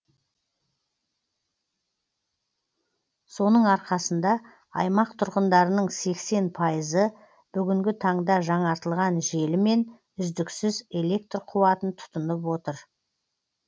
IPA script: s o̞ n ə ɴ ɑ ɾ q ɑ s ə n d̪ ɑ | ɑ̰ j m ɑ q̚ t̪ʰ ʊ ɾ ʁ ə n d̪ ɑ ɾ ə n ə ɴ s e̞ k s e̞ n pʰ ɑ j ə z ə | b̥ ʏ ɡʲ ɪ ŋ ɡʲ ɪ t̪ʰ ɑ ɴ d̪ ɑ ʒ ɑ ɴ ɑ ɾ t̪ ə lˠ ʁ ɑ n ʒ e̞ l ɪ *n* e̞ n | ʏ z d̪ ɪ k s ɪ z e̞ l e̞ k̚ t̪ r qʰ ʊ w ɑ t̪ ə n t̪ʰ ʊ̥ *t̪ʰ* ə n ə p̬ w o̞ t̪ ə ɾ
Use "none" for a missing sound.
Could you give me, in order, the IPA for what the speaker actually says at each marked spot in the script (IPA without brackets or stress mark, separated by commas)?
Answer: m, t̪